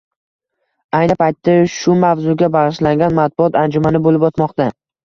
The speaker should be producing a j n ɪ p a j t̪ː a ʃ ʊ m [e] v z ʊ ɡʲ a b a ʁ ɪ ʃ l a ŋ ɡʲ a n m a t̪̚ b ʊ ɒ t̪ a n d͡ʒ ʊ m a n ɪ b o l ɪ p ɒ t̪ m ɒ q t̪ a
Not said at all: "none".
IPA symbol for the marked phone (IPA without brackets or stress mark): a